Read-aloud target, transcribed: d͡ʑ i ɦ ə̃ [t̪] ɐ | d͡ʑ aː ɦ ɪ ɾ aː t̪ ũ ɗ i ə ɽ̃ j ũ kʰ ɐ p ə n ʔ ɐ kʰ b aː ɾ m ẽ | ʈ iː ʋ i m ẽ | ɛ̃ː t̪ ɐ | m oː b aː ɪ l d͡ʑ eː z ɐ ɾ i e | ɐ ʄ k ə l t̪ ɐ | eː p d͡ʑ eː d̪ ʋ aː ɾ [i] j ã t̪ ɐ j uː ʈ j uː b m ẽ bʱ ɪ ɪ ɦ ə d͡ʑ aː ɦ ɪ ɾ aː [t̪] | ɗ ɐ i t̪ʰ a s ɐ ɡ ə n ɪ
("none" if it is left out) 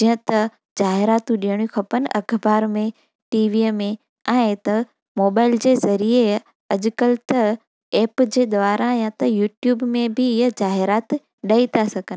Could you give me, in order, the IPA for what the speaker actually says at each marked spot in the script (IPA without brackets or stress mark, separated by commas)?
t̪, a, t̪